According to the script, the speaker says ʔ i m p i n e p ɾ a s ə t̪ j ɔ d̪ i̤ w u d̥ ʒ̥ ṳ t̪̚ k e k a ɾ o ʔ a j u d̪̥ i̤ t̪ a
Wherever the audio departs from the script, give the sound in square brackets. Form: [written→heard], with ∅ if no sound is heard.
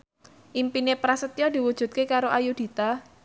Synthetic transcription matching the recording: ʔ i m p i n e p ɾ a s ə t̪ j ɔ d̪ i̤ w u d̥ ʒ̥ ṳ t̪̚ k e k a ɾ o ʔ a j u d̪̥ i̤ t̪ a